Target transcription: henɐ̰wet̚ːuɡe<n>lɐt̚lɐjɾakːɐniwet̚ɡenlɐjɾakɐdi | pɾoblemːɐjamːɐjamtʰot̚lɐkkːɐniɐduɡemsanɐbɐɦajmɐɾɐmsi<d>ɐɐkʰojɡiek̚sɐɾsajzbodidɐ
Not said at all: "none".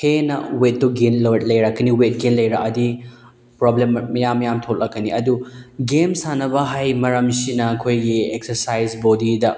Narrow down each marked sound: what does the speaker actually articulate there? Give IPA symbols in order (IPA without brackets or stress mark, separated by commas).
n, n